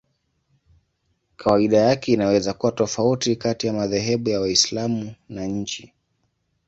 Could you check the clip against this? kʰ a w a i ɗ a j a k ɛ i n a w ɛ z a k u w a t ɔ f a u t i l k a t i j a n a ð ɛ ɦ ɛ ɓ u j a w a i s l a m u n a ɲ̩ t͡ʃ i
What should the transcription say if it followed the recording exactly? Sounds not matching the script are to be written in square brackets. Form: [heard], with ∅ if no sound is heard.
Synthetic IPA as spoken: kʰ a w a i ɗ a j a k ɛ i n a w ɛ z a k u w a t ɔ f a u t i [∅] k a t i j a [m] a ð ɛ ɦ ɛ ɓ u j a w a i s l a m u n a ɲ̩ t͡ʃ i